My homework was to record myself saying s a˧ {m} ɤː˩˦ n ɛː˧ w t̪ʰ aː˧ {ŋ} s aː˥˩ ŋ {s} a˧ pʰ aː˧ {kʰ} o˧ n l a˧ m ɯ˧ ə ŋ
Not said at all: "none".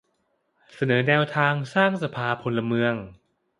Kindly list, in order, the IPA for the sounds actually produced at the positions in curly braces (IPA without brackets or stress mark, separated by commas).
n, ŋ, s, pʰ